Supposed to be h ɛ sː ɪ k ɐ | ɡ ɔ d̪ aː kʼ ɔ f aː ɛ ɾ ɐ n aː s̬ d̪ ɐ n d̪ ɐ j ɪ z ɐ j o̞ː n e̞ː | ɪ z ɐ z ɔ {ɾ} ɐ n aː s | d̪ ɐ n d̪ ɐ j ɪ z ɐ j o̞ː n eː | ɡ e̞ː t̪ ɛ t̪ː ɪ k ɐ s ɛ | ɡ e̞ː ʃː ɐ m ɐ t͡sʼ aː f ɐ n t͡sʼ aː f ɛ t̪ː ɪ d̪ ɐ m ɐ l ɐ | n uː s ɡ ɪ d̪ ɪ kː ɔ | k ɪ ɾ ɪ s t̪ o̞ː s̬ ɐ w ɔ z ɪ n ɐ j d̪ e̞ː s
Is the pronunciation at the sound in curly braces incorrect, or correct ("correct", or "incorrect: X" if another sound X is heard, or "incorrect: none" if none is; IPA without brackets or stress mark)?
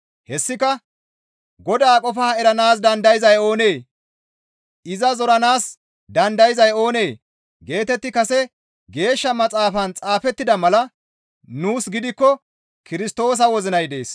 correct